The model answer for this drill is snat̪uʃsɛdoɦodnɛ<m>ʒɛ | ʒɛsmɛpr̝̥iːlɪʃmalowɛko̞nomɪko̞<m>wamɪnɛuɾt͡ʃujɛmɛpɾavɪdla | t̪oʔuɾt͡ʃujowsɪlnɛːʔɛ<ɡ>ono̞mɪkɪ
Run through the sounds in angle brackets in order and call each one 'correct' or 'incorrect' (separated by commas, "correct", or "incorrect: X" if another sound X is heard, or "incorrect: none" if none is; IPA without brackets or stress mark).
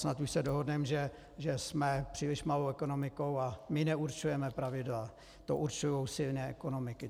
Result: correct, incorrect: none, incorrect: k